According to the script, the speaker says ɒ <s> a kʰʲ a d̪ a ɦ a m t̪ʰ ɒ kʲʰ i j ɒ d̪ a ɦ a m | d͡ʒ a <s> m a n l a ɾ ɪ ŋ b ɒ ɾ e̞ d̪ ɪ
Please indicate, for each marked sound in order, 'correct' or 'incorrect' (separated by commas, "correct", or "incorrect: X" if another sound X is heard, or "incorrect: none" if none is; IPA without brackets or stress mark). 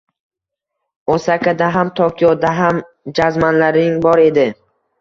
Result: correct, incorrect: z